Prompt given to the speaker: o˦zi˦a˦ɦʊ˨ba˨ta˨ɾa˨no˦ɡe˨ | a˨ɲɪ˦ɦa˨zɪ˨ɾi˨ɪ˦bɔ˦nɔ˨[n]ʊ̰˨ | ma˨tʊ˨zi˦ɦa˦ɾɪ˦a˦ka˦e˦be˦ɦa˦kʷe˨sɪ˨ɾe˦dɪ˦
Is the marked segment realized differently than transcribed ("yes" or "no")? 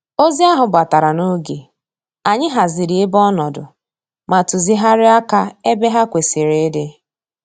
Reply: yes